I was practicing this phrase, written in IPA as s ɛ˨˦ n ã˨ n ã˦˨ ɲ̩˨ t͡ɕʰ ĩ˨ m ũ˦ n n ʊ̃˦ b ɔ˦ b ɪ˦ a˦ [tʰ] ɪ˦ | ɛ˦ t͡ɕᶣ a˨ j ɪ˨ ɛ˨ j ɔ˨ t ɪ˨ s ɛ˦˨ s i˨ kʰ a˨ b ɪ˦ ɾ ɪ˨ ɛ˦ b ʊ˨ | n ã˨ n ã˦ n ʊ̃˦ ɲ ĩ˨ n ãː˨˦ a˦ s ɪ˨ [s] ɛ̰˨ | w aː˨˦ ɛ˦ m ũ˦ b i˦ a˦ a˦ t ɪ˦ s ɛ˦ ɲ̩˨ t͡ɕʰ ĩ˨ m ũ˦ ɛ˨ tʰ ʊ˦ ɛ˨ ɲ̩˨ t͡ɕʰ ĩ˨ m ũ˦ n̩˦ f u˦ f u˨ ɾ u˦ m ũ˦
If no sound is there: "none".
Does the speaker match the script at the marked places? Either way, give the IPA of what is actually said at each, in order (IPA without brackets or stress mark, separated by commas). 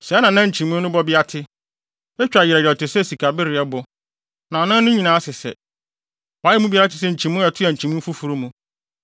tʰ, s